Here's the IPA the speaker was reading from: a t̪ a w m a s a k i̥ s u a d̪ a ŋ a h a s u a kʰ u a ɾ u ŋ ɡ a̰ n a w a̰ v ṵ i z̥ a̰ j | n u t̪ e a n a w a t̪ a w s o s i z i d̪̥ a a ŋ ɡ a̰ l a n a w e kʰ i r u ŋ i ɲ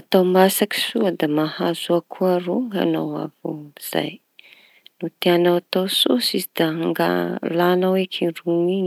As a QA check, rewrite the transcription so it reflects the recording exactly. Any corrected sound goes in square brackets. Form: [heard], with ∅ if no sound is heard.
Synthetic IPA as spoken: a t̪ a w m a s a k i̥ s u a d̪ a [m] a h a [z] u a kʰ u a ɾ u ŋ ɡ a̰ n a w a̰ v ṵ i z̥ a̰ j | n u t̪ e a n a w a t̪ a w s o s i z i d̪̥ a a ŋ ɡ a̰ l a n a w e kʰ i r u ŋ i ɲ